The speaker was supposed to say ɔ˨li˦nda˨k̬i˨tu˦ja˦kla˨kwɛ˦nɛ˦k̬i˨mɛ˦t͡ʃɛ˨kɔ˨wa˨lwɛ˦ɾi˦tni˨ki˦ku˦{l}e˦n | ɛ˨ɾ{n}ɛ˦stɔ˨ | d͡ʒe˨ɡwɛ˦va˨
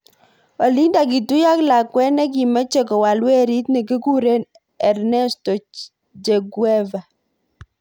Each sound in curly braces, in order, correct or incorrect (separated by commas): incorrect, correct